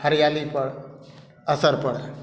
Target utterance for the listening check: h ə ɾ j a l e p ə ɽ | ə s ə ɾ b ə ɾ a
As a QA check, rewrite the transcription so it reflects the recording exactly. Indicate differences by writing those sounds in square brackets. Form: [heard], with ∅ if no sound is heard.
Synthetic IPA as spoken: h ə ɾ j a l [i] p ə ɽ | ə s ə ɾ [p] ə [ɽ] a